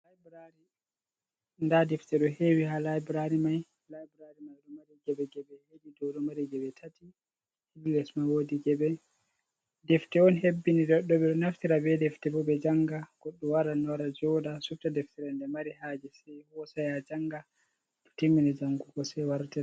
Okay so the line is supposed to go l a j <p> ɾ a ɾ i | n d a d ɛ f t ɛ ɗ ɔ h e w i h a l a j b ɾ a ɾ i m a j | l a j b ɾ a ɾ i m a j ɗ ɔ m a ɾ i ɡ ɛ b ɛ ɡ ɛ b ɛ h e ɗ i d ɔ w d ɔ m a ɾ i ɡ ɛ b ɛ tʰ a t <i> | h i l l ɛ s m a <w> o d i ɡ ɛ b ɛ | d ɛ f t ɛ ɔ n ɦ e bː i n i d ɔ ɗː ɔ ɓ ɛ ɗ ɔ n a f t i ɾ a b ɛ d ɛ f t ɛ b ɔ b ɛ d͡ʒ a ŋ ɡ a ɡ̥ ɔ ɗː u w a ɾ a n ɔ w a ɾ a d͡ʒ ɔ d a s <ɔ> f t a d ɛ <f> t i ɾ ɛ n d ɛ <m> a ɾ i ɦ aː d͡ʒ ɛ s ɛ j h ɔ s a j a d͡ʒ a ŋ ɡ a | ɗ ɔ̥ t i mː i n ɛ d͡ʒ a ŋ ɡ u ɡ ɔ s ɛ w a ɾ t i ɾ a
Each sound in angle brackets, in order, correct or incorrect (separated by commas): incorrect, correct, correct, incorrect, correct, correct